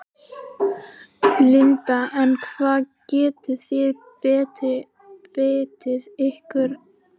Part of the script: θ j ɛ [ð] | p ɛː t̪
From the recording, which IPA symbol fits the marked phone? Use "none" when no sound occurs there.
ð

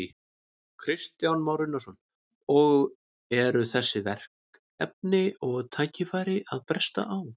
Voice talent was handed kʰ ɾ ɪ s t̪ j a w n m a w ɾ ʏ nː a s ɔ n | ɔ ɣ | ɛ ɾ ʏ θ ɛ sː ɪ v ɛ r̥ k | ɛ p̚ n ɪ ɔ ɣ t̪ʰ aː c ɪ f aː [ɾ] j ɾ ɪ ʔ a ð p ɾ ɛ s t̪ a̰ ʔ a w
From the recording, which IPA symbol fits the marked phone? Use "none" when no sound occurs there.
none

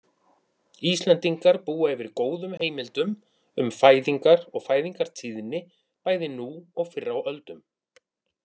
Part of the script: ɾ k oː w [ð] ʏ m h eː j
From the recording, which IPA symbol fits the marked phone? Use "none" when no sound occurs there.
ð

